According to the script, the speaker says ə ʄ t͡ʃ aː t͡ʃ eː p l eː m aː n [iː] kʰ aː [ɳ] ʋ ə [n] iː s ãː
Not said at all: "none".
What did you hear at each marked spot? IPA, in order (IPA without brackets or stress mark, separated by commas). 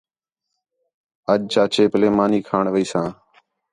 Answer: iː, ɳ, none